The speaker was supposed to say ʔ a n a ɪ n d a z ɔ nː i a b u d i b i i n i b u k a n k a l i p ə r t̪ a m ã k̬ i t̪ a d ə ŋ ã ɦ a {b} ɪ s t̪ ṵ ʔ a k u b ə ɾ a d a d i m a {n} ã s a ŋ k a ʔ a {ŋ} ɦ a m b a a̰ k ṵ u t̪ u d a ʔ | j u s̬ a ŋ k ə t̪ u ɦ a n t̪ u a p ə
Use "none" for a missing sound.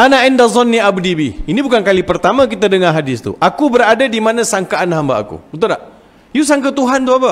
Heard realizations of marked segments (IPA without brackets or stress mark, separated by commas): d, n, n